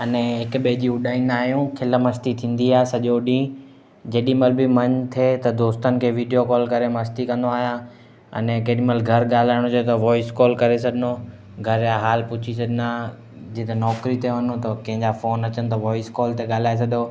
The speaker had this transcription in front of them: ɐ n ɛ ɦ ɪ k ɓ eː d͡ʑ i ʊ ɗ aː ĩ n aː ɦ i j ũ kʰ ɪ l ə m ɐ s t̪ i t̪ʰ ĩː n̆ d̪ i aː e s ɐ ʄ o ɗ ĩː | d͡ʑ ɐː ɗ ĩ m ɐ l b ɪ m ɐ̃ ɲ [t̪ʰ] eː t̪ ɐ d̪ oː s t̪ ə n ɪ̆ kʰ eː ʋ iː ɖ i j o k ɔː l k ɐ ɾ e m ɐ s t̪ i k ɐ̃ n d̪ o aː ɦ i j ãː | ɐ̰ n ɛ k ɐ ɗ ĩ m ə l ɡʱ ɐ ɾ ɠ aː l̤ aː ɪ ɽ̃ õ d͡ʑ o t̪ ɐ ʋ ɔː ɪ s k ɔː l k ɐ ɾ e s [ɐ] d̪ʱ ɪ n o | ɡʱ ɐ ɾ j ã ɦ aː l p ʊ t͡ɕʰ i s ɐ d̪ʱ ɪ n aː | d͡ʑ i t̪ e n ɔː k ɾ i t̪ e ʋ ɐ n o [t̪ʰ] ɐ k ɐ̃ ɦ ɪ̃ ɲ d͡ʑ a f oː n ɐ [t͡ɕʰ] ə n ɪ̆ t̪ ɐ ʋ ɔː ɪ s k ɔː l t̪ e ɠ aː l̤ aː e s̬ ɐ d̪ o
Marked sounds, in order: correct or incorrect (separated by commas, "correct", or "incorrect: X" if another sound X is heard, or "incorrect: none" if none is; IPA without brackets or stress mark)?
correct, correct, incorrect: t̪, incorrect: t͡ɕ